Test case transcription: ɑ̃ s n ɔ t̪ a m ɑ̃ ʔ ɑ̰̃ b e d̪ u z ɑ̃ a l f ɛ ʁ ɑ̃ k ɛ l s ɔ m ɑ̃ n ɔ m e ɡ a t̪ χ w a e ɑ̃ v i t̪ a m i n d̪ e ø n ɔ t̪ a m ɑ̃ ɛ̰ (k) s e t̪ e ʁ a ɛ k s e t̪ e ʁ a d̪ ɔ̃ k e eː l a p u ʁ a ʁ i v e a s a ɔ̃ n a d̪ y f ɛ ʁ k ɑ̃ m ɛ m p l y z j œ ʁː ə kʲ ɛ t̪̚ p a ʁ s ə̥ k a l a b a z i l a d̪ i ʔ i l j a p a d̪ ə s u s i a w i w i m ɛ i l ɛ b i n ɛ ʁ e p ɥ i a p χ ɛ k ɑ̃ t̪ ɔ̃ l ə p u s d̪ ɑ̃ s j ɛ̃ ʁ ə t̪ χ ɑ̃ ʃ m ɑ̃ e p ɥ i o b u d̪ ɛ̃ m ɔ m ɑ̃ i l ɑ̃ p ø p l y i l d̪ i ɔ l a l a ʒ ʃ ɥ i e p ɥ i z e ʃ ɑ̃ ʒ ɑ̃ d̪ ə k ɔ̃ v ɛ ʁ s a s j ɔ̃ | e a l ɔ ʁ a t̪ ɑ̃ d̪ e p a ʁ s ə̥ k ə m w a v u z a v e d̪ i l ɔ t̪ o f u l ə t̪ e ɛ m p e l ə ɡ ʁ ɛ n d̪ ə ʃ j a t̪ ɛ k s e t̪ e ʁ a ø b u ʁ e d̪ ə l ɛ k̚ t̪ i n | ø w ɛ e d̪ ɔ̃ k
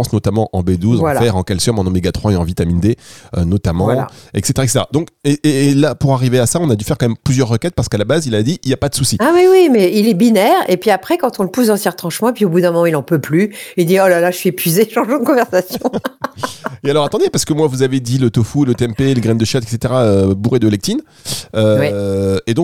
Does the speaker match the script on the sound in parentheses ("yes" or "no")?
yes